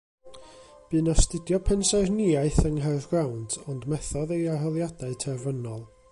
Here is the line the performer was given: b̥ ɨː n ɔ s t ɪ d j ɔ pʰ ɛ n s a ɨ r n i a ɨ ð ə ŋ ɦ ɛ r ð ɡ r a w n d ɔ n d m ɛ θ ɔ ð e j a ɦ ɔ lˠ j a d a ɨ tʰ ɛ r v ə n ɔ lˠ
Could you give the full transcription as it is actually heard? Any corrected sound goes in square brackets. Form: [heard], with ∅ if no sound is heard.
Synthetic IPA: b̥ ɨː n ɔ s t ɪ d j ɔ pʰ ɛ n s a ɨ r n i a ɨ [θ] ə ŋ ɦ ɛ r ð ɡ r a w n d ɔ n d m ɛ θ ɔ ð e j a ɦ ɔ lˠ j a d a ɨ tʰ ɛ r v ə n ɔ lˠ